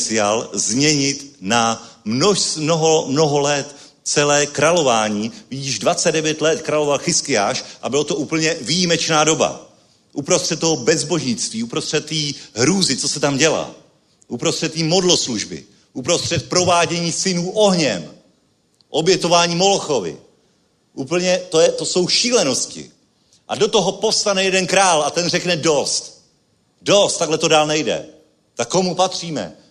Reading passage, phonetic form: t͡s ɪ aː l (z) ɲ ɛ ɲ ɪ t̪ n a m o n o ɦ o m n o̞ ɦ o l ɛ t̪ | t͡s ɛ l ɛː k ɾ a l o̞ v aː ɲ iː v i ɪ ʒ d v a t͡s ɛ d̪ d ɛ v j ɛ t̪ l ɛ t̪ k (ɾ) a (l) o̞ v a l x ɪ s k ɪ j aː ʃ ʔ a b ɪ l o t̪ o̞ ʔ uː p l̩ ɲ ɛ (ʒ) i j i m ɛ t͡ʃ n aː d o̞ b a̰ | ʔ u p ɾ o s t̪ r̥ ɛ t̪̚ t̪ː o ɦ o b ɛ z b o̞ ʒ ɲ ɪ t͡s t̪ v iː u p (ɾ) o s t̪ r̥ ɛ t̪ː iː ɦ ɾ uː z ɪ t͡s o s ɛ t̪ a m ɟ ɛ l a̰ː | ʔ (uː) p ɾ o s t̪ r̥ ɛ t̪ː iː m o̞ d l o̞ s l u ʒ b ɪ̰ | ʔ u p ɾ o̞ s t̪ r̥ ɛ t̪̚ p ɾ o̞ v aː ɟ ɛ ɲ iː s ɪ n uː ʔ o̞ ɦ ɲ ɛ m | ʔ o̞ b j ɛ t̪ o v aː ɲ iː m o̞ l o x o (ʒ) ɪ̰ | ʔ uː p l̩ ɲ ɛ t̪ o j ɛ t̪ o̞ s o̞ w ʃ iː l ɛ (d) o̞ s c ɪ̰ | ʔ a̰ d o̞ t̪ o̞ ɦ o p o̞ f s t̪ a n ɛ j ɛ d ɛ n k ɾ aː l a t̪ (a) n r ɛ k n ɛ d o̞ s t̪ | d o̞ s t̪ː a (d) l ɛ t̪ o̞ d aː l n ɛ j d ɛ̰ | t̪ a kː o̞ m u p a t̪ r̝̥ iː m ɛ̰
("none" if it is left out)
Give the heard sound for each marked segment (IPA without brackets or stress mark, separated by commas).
z, ɾ, l, v, ɾ, u, v, n, ɛ, ɡ